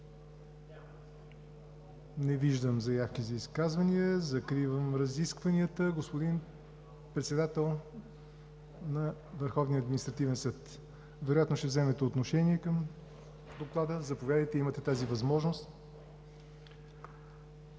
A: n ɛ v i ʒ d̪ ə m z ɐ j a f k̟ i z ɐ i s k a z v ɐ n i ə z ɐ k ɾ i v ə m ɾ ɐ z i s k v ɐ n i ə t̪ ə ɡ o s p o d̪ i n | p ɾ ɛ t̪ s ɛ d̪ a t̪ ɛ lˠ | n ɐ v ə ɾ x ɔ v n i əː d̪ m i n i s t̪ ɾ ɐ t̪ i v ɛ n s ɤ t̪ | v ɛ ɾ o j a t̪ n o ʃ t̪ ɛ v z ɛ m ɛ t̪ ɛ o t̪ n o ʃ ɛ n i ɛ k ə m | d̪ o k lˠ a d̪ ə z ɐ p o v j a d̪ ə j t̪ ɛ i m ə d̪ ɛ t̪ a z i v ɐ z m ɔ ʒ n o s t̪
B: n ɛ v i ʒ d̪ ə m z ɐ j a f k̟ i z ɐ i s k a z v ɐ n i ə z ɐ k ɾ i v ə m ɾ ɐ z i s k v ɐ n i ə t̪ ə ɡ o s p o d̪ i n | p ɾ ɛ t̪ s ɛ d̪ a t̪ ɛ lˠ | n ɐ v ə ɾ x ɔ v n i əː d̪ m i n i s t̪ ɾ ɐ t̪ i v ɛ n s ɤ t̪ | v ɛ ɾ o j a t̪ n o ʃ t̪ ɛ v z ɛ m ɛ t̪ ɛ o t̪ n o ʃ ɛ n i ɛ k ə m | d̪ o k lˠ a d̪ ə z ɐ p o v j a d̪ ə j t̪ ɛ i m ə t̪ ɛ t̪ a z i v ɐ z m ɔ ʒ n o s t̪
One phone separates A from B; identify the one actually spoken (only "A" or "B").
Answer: B